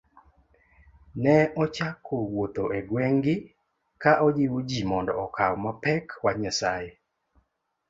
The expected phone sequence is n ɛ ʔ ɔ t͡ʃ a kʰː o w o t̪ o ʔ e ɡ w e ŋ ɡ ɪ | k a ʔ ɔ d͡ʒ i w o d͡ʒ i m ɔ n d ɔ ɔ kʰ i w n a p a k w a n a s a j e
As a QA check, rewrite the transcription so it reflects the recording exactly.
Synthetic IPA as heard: n ɛ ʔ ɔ t͡ʃ a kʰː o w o t̪ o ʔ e ɡ w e ŋ ɡ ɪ | k a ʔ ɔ d͡ʒ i w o d͡ʒ i m ɔ n d ɔ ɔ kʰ a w m a p ɛ k w a ɲ a s a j e